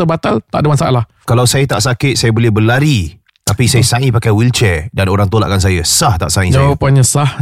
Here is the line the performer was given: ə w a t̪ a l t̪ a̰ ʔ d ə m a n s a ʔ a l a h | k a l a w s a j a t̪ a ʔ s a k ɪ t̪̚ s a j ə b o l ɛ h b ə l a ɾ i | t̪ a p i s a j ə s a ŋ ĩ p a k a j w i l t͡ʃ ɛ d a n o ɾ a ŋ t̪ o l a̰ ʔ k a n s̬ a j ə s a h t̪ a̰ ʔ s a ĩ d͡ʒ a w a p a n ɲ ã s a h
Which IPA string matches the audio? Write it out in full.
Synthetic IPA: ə b a t̪ a l t̪ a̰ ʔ d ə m a n s a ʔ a l a h | k a l a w s a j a t̪ a ʔ s a k ɪ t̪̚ s a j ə b o l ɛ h b ə l a ɾ i | t̪ a p i s a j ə s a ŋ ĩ p a k a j w i l t͡ʃ ɛ d a n o ɾ a ŋ t̪ o l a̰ ʔ k a n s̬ a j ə s a h t̪ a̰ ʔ s a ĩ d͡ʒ a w a p a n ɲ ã s a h